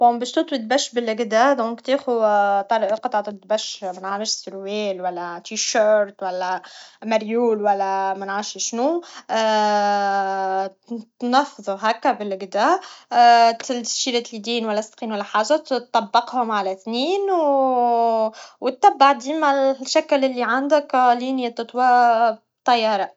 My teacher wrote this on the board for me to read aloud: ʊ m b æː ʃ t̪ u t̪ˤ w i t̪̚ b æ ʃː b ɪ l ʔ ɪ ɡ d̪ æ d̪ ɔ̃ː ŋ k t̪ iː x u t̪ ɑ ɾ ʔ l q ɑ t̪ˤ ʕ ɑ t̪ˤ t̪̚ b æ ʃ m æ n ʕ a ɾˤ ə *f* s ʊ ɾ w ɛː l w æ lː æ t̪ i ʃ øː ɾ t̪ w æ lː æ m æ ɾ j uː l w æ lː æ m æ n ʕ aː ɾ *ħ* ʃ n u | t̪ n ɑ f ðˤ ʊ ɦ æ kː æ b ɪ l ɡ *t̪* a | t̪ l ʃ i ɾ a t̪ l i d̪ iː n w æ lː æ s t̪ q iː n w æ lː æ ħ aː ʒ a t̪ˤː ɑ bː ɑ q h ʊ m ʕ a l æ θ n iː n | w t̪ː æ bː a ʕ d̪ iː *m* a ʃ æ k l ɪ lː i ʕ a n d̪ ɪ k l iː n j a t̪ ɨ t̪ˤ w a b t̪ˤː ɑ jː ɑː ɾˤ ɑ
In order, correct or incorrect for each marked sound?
incorrect, incorrect, incorrect, correct

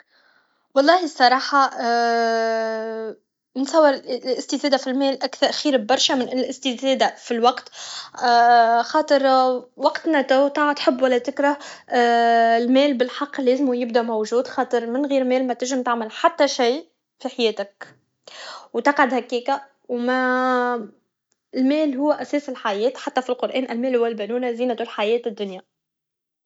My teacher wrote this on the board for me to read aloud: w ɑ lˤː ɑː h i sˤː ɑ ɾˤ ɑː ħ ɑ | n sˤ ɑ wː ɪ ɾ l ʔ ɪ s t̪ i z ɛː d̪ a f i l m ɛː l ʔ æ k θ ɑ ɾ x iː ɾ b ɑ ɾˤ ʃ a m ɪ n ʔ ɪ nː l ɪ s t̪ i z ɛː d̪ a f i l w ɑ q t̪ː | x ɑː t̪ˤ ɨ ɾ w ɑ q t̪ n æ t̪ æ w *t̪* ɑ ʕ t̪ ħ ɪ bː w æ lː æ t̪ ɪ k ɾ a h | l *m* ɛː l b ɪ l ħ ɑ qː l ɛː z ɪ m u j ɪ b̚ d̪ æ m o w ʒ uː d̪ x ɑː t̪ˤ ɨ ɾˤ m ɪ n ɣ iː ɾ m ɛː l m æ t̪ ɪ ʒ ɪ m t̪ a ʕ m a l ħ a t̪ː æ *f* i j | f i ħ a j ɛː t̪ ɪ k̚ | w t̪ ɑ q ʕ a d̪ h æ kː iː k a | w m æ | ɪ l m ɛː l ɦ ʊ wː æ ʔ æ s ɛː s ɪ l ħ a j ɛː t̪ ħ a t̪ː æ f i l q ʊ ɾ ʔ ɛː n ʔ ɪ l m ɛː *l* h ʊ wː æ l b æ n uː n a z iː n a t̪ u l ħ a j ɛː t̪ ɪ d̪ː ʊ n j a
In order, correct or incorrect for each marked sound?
correct, correct, incorrect, correct

